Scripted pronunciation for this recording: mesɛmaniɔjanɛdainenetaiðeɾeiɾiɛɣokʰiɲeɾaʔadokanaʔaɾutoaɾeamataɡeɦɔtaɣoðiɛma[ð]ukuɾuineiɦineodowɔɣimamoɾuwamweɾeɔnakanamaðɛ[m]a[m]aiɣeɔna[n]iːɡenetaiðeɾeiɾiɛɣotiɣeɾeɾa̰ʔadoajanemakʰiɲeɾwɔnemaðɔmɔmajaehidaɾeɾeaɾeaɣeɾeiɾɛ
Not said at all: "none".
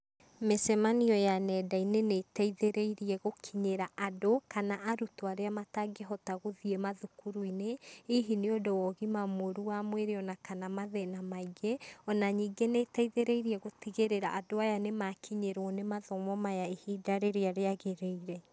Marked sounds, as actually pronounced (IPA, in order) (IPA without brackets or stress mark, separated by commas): ð, n, m, ɲ